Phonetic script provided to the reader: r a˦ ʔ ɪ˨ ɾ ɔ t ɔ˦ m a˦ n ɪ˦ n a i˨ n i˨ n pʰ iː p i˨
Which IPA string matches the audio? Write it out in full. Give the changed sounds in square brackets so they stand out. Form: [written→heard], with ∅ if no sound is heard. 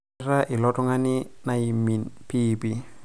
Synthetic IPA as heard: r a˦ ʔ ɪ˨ [ɾ→l] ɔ t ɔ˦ [m→ŋ] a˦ n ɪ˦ n a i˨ [n→m] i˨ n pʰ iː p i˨